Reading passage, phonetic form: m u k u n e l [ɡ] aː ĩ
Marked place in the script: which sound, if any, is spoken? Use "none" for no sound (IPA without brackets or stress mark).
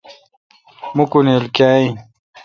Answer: k